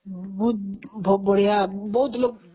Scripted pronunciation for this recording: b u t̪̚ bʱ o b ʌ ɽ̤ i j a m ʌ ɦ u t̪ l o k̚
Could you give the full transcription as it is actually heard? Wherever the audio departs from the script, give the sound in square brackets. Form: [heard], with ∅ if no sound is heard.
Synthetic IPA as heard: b u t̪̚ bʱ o b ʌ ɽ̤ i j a [b] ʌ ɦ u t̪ l o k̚

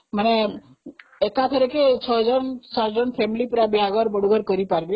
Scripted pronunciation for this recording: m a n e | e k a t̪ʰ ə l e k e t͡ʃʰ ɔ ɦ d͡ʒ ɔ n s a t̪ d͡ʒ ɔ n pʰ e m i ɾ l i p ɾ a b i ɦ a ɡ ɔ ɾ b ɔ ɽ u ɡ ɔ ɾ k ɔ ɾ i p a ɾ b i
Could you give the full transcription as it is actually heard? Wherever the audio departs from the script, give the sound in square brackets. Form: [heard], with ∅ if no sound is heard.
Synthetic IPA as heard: m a n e | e k a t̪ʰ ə [ɾ] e k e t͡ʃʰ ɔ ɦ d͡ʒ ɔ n s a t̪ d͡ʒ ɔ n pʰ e m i [∅] l i p ɾ a b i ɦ a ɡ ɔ ɾ b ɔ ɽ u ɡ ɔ ɾ k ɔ ɾ i p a ɾ b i

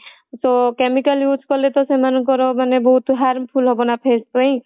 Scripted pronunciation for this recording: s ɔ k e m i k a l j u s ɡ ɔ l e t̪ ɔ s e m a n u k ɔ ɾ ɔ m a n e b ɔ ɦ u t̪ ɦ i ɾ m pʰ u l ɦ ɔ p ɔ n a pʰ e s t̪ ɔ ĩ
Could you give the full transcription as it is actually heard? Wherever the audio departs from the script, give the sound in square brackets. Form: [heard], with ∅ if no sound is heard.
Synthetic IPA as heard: s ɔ k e m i k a l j u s [k] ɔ l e t̪ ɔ s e m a n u k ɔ ɾ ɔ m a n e b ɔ ɦ u t̪ ɦ [a] ɾ m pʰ u l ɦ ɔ [b] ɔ n a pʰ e s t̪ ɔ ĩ

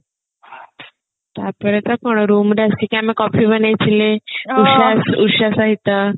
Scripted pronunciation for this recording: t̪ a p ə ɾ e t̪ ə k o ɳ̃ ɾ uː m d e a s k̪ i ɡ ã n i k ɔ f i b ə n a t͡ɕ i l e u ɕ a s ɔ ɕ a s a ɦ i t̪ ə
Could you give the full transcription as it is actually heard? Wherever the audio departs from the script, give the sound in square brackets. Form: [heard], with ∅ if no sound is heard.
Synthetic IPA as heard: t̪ a p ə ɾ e t̪ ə k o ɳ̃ ɾ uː m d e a s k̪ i [k] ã [m] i k ɔ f i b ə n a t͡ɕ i l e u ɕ a s [u] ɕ a s a ɦ i t̪ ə

